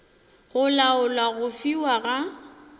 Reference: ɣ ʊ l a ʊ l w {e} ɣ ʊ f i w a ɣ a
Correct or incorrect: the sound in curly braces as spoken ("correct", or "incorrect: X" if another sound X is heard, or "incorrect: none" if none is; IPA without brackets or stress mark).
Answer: incorrect: a